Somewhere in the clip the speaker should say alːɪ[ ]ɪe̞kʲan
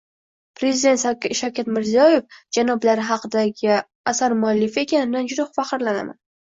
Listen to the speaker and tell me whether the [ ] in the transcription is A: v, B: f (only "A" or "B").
B